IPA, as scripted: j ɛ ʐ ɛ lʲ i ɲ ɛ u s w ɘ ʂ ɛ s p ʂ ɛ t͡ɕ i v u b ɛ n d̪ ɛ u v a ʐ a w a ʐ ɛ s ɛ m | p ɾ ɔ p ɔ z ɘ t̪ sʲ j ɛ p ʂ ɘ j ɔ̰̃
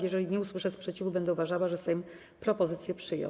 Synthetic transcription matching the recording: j ɛ ʐ ɛ lʲ i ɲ ɛ u s w ɘ ʂ ɛ s p ʂ ɛ t͡ɕ i v u b ɛ n d̪ ɛ u v a ʐ a w a ʐ ɛ s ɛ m | p ɾ ɔ p ɔ z ɘ t̪ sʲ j ɛ p ʂ ɘ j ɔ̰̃

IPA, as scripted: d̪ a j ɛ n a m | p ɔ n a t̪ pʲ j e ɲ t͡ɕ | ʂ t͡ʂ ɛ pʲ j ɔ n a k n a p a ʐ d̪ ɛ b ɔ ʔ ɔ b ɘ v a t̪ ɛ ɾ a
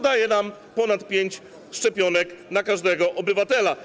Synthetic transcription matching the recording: d̪ a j ɛ n a m | p ɔ n a t̪ pʲ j e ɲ t͡ɕ | ʂ t͡ʂ ɛ pʲ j ɔ n ɛ k n a k a ʐ d̪ ɛ ɡ ɔ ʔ ɔ b ɘ v a t̪ ɛ l a

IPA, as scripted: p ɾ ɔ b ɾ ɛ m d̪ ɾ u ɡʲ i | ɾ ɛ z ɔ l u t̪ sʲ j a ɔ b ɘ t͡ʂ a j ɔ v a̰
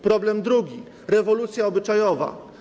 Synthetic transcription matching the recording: p ɾ ɔ b l ɛ m d̪ ɾ u ɡʲ i | ɾ ɛ v ɔ l u t̪ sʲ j a ɔ b ɘ t͡ʂ a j ɔ v a̰

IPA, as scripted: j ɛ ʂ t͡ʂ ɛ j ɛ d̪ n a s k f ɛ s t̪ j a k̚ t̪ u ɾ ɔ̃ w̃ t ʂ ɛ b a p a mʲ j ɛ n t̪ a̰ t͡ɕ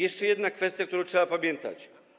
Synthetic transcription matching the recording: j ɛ ʂ t͡ʂ ɛ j ɛ d̪ n a k f ɛ s t̪ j a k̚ t̪ u ɾ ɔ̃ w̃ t ʂ ɛ b a p a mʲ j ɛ n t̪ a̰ t͡ɕ

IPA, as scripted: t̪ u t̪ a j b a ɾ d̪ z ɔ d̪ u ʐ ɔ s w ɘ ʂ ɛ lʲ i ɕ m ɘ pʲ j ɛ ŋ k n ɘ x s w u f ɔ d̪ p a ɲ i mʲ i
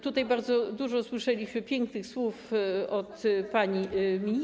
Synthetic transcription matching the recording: t̪ u t̪ a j b a ɾ d̪ z ɔ d̪ u ʐ ɔ s w ɘ ʂ ɛ lʲ i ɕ m ɘ pʲ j ɛ ŋ k n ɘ x s w u f ɔ t̪ p a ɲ i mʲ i

